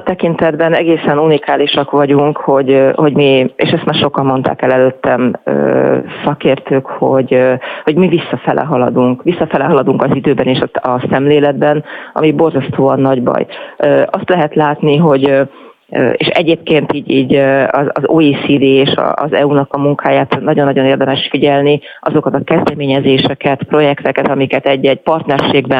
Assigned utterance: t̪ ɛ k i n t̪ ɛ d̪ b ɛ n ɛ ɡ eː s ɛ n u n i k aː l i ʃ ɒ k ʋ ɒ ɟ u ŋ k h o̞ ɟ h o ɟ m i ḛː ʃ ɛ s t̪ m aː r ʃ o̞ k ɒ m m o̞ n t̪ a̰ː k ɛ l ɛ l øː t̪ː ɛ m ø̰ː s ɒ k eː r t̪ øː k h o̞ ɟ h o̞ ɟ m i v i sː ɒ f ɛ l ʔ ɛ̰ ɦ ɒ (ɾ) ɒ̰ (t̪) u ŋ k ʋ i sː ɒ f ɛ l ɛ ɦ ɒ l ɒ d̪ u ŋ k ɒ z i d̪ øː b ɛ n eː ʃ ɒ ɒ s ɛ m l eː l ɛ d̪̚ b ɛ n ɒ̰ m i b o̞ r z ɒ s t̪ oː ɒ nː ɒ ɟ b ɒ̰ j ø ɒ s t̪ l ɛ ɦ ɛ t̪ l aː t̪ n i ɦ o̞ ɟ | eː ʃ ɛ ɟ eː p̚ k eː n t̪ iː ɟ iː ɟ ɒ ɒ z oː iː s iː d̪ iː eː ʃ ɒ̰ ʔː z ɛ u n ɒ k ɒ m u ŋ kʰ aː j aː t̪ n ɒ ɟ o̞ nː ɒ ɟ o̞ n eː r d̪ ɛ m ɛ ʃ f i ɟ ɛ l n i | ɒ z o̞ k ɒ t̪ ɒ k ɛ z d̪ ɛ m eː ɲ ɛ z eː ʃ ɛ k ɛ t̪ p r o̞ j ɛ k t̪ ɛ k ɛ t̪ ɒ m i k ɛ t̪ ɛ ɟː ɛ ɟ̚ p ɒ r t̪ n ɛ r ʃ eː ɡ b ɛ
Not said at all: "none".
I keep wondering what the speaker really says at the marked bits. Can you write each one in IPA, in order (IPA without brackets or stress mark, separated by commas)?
l, d̪